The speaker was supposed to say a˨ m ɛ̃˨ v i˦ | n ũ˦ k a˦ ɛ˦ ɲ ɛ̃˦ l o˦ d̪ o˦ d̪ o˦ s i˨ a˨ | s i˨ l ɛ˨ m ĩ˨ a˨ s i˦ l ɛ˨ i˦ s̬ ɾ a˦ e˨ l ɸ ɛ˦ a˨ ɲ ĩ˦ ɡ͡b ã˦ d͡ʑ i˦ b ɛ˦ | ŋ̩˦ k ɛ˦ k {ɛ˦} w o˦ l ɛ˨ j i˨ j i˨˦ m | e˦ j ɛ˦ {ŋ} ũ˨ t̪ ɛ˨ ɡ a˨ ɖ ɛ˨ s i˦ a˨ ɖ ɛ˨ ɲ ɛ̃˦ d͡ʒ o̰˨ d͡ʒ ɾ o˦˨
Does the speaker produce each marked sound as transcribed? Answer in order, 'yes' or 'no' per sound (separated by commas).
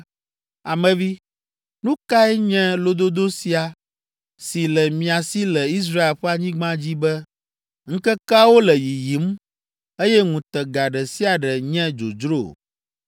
no, yes